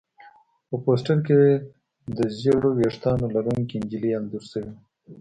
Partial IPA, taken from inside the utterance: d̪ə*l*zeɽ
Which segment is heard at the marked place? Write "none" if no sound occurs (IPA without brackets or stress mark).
none